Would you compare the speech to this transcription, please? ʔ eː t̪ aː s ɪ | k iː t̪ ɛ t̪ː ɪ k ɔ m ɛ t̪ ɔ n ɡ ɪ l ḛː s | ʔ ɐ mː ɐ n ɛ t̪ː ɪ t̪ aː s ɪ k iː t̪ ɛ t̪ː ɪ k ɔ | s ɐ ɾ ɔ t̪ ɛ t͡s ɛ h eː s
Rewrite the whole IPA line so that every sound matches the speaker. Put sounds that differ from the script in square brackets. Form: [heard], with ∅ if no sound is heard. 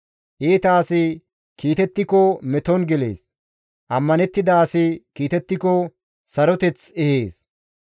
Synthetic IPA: ʔ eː t̪ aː s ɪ | k iː t̪ ɛ t̪ː ɪ k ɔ m ɛ t̪ ɔ n ɡ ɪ l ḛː s | ʔ ɐ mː ɐ n ɛ t̪ː ɪ [d̪] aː s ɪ k iː t̪ ɛ t̪ː ɪ k ɔ | s ɐ ɾ ɔ t̪ ɛ t͡s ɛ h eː s